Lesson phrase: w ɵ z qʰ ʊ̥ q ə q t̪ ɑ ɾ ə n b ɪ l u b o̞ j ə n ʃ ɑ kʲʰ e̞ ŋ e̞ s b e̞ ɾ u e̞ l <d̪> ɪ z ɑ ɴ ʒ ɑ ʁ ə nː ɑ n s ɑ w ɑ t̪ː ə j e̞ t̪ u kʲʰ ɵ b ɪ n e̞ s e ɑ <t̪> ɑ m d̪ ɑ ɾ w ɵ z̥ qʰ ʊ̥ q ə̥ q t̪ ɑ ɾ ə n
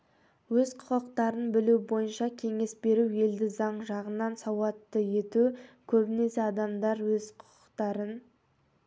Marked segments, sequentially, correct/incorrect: correct, incorrect

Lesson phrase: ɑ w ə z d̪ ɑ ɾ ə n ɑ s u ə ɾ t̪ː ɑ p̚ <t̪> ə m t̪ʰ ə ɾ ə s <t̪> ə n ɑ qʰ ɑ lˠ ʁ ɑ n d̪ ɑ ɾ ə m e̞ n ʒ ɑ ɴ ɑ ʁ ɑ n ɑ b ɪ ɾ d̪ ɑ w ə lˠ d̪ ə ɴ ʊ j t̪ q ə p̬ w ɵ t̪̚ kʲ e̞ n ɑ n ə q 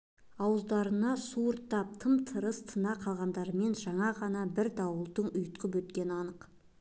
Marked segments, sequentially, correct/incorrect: incorrect, incorrect

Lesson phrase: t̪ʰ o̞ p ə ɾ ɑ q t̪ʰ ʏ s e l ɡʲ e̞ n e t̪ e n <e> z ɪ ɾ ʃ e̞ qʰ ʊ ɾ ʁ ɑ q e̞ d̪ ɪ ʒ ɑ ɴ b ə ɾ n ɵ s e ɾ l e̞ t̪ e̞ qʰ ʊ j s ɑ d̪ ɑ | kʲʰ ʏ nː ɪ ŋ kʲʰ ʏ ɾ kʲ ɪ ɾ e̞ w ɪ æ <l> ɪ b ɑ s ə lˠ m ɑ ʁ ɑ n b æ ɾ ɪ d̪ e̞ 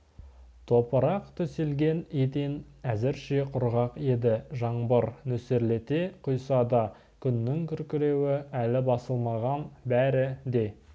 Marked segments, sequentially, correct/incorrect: incorrect, correct

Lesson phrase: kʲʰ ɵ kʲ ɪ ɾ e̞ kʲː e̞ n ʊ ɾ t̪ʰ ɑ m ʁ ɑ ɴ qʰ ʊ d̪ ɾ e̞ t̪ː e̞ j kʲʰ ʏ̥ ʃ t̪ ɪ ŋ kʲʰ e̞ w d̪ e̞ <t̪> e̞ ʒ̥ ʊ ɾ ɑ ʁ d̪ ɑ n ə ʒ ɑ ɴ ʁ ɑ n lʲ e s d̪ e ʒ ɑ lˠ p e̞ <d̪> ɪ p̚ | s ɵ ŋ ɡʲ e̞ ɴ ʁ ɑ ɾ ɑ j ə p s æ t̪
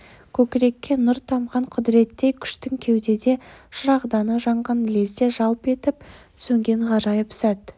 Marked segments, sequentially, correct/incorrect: incorrect, incorrect

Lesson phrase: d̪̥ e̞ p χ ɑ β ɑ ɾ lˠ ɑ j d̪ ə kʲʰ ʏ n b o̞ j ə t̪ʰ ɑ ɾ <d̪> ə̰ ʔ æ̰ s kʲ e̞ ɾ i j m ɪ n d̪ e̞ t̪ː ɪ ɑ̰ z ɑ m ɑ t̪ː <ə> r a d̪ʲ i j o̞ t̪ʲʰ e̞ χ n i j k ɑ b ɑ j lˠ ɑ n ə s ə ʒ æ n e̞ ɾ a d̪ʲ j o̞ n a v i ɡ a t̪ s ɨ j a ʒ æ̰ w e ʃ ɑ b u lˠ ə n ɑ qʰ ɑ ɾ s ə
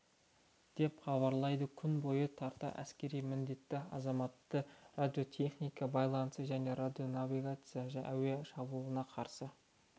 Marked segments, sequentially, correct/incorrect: incorrect, correct

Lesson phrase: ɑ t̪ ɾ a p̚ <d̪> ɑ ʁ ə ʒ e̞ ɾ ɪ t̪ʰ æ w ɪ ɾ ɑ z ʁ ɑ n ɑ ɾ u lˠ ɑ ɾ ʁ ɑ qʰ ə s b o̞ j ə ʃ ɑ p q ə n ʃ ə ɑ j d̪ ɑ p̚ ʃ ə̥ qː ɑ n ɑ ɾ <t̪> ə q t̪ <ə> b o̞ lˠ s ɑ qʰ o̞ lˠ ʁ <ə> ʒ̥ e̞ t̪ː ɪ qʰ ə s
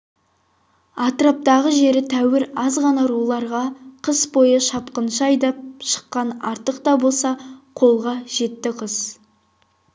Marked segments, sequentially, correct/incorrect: incorrect, correct, incorrect, incorrect

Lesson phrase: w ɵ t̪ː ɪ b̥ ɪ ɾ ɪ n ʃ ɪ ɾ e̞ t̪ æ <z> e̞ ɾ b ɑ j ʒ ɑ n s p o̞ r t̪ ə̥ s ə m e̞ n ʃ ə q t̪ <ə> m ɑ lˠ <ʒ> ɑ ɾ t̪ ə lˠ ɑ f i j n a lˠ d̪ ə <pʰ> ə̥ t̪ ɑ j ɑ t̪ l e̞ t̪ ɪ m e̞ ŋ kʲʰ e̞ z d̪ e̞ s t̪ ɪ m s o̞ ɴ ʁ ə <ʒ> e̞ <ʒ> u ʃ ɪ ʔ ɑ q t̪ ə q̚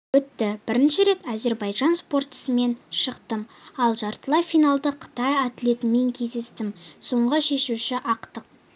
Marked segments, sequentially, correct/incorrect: correct, correct, correct, incorrect, incorrect, incorrect

